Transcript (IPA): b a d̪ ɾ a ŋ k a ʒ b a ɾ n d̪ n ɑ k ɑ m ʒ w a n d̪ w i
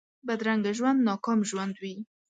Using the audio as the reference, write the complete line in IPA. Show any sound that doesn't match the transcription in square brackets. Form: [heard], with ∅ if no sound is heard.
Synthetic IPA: b a d̪ ɾ a ŋ [ɡ] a ʒ [w] a [∅] n d̪ n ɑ k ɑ m ʒ w a n d̪ w i